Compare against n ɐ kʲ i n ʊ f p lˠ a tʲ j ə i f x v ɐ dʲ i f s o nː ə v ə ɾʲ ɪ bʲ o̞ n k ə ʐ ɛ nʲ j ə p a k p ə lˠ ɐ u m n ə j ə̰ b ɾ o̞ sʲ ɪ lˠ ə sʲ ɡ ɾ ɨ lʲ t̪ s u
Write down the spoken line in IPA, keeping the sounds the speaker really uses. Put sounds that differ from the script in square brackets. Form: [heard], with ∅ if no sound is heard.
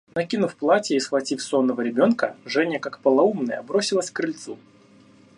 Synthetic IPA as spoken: n ɐ kʲ i n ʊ f p lˠ a tʲ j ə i [s] x v ɐ [tʲ] i f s o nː ə v ə ɾʲ ɪ bʲ o̞ n k ə ʐ ɛ nʲ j ə [k] a k p ə lˠ ɐ u m n ə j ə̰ b ɾ o̞ sʲ ɪ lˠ ə sʲ [k] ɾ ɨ lʲ t̪ s u